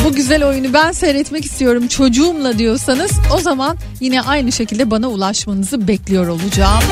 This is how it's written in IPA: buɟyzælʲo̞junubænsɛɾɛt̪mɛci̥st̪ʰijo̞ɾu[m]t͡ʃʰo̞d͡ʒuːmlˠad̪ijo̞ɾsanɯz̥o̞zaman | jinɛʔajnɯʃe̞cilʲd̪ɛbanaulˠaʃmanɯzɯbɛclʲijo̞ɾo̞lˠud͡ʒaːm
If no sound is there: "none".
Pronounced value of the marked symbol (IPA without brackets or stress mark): m